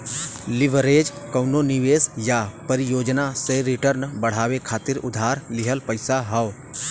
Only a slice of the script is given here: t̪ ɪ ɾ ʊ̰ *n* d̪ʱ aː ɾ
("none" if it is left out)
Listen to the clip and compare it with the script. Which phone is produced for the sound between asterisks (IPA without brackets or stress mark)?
none